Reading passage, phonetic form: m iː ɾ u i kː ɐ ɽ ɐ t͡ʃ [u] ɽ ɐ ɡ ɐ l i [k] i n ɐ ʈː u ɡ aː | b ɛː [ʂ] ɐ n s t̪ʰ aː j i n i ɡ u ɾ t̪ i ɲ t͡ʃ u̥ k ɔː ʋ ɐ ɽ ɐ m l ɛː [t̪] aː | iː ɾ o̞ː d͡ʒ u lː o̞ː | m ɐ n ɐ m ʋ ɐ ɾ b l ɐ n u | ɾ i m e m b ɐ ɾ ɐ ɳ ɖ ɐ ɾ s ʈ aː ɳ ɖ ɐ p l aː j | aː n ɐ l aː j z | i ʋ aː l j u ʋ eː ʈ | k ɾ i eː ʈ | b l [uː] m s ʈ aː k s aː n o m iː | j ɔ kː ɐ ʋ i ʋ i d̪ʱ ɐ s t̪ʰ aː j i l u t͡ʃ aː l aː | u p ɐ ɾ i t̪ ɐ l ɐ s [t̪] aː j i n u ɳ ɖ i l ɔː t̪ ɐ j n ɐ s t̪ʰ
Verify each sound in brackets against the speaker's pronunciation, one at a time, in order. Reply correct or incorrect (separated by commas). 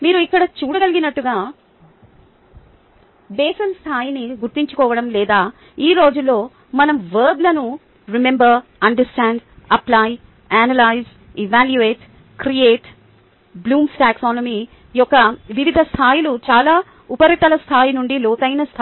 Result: incorrect, incorrect, incorrect, incorrect, correct, incorrect